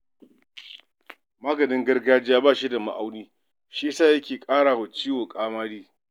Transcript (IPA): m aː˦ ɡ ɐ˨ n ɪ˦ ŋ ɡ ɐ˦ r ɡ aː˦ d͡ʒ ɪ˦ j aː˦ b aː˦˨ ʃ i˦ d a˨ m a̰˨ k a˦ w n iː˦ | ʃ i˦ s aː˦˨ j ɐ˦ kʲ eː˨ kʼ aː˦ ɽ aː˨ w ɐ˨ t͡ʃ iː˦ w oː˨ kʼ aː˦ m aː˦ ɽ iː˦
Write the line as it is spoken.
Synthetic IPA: m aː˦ ɡ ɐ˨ n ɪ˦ ŋ ɡ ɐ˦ r ɡ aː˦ d͡ʒ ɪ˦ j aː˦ b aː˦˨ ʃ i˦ d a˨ m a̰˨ ʔ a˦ w n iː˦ | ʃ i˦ s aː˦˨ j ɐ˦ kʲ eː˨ kʼ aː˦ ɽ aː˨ w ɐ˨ t͡ʃ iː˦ w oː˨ kʼ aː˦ m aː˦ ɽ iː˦